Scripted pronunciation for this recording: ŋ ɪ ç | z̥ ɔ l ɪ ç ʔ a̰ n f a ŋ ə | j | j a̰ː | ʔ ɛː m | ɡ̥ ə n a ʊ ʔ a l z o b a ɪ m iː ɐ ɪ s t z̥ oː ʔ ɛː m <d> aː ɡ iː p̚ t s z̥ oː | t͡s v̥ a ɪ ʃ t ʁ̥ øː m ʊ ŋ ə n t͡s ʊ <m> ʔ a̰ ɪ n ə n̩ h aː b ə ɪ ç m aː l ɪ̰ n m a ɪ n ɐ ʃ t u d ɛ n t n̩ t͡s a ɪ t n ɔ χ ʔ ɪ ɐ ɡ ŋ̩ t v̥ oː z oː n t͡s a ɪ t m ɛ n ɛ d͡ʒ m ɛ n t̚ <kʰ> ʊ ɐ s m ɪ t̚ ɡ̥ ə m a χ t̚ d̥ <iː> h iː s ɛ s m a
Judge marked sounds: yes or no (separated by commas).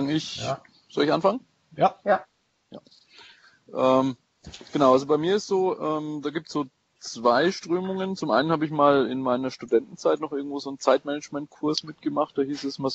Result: yes, yes, yes, no